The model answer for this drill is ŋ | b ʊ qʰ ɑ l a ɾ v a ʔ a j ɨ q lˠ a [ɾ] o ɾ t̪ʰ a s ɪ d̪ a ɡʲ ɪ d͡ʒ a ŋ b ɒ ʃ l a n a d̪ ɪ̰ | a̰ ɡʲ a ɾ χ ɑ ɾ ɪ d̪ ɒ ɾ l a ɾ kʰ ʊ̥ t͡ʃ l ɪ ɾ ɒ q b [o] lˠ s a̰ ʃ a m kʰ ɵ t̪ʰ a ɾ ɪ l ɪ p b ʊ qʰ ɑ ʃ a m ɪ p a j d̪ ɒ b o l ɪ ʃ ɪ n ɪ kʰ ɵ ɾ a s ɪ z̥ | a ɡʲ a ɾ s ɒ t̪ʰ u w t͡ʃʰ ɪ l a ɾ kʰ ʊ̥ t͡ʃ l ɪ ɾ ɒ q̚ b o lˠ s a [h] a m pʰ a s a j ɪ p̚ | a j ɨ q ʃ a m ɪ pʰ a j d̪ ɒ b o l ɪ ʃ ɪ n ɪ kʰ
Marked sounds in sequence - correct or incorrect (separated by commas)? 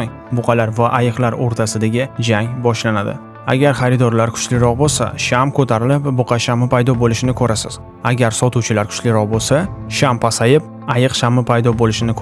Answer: correct, correct, incorrect